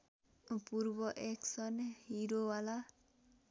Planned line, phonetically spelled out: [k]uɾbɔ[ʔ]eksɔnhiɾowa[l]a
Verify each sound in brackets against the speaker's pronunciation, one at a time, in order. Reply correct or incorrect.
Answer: incorrect: p, correct, correct

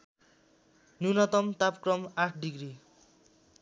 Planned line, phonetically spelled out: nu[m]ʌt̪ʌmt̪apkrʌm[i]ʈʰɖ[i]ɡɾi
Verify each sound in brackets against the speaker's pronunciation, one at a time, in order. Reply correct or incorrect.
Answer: incorrect: n, incorrect: a, correct

